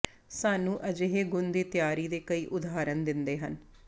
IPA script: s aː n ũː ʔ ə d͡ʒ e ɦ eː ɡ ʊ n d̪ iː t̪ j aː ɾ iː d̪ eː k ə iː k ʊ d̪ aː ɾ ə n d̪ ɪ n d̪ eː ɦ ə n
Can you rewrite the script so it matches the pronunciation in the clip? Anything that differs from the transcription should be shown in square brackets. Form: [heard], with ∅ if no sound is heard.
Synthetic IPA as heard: s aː n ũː ʔ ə d͡ʒ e ɦ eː ɡ ʊ n d̪ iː t̪ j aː ɾ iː d̪ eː k ə iː [ʔ] ʊ d̪ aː ɾ ə n d̪ ɪ n d̪ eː ɦ ə n